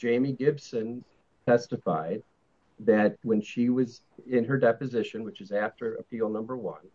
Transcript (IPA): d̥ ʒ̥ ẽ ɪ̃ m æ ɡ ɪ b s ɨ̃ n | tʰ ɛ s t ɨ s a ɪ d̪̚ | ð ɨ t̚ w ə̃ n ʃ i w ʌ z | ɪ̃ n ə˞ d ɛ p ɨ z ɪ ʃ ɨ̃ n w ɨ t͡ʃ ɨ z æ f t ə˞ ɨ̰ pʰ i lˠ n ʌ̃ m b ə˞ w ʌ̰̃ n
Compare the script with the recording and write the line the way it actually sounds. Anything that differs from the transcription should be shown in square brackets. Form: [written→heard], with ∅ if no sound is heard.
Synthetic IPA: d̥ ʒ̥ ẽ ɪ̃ m [æ→i] ɡ ɪ b s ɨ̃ n | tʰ ɛ s t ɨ [s→f] a ɪ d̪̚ | ð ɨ t̚ w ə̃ n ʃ i w ʌ z | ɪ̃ n ə˞ d ɛ p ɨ z ɪ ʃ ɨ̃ n w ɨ t͡ʃ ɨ z æ f t ə˞ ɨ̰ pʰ i lˠ n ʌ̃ m b ə˞ w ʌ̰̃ n